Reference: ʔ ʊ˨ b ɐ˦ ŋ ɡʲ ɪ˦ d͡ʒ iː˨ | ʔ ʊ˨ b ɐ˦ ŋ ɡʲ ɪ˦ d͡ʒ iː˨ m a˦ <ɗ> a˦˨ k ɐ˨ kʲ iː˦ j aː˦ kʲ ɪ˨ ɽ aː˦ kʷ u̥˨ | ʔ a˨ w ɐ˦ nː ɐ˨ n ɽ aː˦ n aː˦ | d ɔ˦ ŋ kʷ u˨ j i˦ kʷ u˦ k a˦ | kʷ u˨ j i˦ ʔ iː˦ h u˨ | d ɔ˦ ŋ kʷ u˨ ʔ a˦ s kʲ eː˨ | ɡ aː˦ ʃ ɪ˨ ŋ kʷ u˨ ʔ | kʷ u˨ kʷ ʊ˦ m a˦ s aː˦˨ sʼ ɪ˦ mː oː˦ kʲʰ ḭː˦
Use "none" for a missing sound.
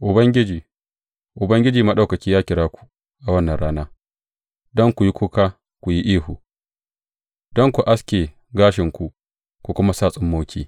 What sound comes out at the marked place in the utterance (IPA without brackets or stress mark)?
ɗ